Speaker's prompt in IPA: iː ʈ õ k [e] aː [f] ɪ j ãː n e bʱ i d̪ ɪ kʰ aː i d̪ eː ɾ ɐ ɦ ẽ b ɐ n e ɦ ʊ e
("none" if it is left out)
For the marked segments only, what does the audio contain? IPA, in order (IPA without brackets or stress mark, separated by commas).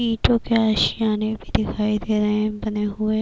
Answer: e, ʃ